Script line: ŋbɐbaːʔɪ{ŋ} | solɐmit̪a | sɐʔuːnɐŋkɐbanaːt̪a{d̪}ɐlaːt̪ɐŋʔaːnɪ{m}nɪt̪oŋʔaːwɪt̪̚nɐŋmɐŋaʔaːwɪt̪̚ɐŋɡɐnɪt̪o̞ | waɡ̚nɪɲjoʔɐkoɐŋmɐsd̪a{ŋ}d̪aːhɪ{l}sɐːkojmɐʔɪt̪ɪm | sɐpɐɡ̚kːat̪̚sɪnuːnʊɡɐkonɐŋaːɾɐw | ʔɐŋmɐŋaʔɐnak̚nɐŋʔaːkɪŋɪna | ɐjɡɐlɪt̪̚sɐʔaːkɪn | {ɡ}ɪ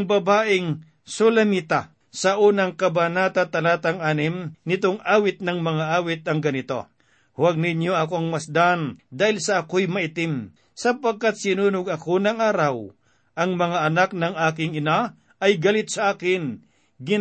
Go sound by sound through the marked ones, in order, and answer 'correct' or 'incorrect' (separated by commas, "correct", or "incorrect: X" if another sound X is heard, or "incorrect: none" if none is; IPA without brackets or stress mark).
correct, incorrect: t̪, correct, incorrect: n, correct, correct